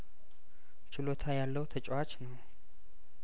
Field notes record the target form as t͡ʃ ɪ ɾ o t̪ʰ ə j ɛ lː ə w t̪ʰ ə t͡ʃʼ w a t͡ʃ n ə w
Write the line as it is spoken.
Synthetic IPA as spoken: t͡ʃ ɪ l o t̪ʰ a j a lː ə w t̪ʰ ə t͡ʃʼ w a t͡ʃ n ə w